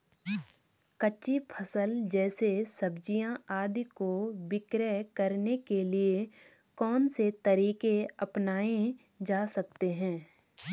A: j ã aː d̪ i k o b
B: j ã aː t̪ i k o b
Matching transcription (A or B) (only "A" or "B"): A